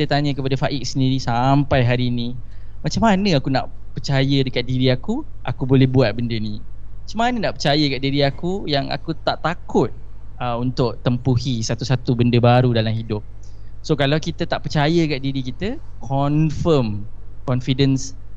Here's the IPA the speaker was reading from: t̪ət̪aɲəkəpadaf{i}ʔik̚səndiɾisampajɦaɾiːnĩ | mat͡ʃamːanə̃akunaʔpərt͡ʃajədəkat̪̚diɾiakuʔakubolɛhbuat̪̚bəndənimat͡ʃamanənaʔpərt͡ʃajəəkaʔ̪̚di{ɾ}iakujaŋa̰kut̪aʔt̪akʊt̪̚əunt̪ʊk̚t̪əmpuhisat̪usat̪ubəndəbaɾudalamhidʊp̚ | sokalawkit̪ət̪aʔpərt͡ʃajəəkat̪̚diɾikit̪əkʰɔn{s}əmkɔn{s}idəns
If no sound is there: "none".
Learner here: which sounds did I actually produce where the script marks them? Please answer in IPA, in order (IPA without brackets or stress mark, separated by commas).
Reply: a, ɾ, f, f